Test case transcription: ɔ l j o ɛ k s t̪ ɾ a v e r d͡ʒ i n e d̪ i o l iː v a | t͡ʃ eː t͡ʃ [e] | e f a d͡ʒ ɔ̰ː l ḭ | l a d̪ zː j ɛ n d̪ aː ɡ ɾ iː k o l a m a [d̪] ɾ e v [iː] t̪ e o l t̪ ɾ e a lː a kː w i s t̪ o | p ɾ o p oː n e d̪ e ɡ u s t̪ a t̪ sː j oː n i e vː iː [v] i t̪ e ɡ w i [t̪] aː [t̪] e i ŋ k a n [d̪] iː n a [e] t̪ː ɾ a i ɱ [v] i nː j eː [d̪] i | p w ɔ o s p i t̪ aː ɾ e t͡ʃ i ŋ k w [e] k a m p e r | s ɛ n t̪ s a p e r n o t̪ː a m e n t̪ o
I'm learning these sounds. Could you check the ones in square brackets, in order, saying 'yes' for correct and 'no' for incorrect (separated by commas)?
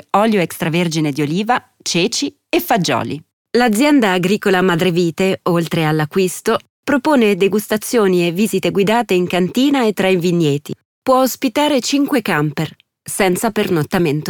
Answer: no, yes, yes, no, no, yes, no, yes, yes, no, yes